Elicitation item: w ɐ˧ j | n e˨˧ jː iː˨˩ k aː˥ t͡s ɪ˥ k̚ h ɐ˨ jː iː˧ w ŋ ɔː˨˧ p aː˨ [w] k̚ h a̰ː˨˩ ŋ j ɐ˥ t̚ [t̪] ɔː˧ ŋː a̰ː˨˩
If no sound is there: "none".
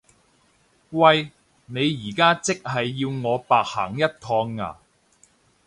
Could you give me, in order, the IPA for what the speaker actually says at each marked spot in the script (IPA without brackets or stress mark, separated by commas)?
none, t̪ʰ